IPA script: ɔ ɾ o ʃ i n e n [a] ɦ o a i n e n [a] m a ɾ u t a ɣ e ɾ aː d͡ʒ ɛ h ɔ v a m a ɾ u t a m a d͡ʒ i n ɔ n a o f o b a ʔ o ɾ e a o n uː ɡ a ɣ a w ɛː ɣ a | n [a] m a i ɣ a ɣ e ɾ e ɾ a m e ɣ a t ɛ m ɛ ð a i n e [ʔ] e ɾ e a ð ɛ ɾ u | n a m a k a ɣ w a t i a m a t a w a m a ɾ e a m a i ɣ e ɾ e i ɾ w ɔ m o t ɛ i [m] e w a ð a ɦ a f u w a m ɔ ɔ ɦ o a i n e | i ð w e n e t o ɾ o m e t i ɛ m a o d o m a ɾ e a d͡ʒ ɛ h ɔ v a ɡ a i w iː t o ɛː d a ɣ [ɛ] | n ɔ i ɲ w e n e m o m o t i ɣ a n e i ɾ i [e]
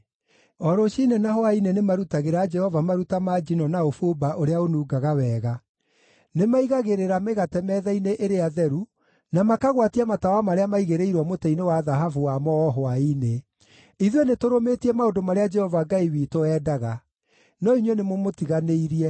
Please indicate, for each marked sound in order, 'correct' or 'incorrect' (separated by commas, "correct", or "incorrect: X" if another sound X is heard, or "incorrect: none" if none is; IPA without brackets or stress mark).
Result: correct, incorrect: e, incorrect: e, correct, incorrect: n, incorrect: a, incorrect: ɛ